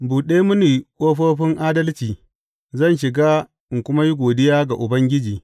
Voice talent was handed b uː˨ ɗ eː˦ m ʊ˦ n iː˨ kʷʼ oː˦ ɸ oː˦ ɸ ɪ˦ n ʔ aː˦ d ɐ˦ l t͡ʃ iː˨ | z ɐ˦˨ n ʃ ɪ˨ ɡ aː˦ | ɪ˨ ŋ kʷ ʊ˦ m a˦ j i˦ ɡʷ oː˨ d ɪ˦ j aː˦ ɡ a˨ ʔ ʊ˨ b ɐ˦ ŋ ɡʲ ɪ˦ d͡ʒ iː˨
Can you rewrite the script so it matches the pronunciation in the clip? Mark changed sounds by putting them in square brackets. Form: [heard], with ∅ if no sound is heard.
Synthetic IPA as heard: b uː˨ ɗ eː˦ m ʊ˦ n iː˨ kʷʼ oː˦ ɸ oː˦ ɸ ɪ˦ [ŋ] ʔ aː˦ d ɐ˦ l t͡ʃ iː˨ | z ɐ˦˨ n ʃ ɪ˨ ɡ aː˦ | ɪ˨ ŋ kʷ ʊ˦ m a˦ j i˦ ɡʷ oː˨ d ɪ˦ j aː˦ ɡ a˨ ʔ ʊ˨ b ɐ˦ ŋ ɡʲ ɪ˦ d͡ʒ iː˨